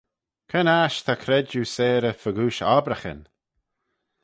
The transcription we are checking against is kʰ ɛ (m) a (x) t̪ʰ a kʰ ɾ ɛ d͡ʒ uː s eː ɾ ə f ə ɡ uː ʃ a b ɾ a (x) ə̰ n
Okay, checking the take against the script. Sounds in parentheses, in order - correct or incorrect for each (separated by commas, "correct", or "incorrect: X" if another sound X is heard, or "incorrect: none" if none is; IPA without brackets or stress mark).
incorrect: n, incorrect: ʃ, correct